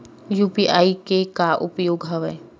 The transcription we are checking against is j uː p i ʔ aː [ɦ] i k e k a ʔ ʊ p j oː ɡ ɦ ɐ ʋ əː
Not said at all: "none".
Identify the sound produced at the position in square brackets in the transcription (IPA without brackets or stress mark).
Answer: none